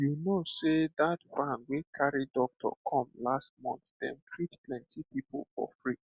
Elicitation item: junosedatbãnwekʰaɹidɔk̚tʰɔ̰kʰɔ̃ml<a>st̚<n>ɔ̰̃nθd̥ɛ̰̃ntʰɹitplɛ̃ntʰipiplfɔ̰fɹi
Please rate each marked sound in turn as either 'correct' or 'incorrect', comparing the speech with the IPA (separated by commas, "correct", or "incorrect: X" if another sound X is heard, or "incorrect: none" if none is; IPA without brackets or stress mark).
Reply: correct, incorrect: m